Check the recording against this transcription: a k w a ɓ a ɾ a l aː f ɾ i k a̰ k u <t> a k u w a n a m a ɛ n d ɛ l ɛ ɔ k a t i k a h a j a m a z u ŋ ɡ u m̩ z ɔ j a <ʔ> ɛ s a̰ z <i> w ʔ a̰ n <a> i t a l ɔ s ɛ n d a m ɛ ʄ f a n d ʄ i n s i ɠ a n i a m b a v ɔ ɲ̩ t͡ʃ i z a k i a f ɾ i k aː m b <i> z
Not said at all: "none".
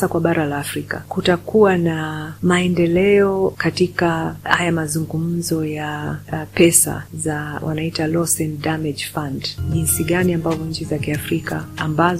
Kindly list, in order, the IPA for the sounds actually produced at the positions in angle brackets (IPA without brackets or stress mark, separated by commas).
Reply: t, p, a, a, a